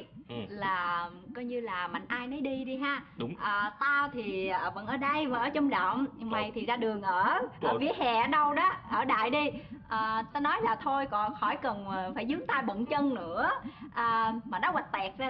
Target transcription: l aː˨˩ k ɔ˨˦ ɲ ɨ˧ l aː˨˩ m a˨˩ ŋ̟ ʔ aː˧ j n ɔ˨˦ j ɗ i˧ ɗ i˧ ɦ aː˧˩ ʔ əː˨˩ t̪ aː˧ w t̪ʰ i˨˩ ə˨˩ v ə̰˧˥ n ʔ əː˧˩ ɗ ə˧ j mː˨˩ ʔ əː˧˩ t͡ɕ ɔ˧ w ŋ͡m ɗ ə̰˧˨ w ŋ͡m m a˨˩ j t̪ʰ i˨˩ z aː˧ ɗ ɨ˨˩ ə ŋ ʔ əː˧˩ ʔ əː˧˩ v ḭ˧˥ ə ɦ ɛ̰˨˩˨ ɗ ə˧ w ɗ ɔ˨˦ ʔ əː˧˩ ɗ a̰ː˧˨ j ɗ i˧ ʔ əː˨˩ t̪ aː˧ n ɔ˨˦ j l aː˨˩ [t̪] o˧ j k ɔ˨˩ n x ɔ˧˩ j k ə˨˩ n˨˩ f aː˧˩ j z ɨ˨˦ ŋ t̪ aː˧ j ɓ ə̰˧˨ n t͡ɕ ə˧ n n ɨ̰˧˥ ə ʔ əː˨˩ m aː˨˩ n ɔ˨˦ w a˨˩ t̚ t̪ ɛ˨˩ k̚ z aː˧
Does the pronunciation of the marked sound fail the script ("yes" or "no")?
yes